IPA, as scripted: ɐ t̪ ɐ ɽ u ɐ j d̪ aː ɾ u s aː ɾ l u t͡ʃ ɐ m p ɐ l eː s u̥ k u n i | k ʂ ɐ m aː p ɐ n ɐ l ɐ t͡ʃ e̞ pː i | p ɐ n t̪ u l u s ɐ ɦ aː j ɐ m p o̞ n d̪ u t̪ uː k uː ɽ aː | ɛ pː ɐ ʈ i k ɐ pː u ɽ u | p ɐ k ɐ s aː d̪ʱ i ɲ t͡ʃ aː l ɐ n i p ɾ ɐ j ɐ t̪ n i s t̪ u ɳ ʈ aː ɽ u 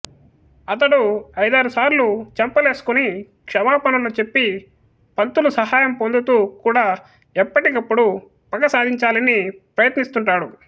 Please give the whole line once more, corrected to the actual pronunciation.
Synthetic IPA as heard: ɐ t̪ ɐ ɽ u ɐ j d̪ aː ɾ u s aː ɾ l u t͡ʃ ɐ m p ɐ l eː s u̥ k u n i | k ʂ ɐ m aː p ɐ n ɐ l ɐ t͡ʃ e̞ pː i | p ɐ n t̪ u l u s ɐ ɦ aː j ɐ m p o̞ n d̪ u t̪ uː k uː ɽ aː | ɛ pː ɐ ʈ i k ɐ pː u ɽ u | p ɐ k ɐ s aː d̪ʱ i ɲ t͡ʃ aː l ɐ n i p ɾ ɐ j ɐ t̪ n i s t̪ u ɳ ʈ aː ɽ u